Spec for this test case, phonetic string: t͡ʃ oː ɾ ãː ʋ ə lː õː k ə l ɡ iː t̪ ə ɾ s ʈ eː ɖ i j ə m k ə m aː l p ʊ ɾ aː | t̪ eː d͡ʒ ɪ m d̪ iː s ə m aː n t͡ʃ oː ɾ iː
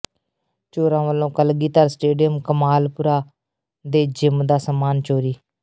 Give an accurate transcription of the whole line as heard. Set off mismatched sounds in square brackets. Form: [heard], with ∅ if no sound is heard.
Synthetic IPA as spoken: t͡ʃ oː ɾ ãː ʋ ə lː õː k ə l ɡ iː t̪ ə ɾ s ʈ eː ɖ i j ə m k ə m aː l p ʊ ɾ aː | [d̪] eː d͡ʒ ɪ m d̪ [aː] s ə m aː n t͡ʃ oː ɾ iː